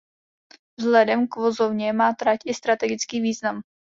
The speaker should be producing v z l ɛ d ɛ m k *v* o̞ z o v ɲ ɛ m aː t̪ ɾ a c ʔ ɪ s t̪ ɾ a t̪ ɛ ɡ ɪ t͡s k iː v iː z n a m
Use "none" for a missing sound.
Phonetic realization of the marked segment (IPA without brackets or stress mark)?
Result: v